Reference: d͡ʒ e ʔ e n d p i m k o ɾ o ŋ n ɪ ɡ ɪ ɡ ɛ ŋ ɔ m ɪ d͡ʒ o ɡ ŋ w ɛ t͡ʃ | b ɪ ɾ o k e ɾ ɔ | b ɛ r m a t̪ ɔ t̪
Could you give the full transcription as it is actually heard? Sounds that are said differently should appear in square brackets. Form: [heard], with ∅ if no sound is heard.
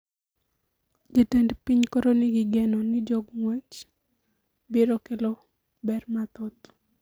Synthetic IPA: d͡ʒ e [t] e n d p i [ɲ] k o ɾ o [∅] n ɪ ɡ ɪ ɡ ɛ [n] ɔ [n] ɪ d͡ʒ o ɡ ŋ w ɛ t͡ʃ | b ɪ ɾ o k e [l] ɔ | b ɛ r m a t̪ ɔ t̪